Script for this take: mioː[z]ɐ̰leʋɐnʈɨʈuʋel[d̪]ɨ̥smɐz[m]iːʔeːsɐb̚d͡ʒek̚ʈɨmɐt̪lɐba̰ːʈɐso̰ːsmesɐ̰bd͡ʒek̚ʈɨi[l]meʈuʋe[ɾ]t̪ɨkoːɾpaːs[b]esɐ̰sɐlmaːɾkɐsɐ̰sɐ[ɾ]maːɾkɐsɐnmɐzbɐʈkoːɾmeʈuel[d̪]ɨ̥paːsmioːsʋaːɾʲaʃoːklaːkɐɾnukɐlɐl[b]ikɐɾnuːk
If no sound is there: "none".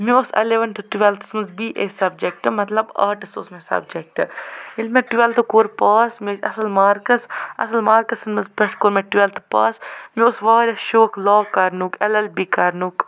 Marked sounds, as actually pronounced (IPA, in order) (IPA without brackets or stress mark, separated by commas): s, t̪, b, l, l, m, l, t̪, b